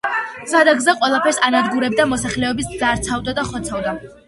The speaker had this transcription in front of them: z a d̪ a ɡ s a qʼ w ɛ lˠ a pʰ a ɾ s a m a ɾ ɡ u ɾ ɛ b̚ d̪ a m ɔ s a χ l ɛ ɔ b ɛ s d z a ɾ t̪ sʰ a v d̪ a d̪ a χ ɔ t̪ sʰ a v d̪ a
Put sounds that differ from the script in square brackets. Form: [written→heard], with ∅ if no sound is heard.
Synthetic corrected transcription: z a d̪ a ɡ [s→z] a qʼ w ɛ lˠ a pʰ [a→ɛ] ɾ s a [m→n] a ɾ ɡ u ɾ ɛ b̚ d̪ a m ɔ s a χ l ɛ ɔ b [ɛ→i] s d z a ɾ t̪ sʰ a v d̪ a d̪ a χ ɔ t̪ sʰ a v d̪ a